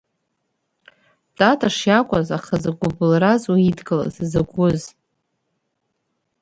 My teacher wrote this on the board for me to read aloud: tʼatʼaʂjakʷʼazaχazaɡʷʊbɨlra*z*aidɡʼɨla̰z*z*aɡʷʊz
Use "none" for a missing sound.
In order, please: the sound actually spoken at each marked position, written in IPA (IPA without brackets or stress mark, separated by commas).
z, z